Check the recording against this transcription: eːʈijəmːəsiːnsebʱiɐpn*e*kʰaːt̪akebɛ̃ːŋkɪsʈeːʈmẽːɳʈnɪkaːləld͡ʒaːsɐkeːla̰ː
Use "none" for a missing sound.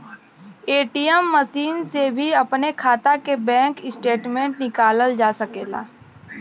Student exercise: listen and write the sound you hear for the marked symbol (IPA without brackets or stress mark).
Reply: e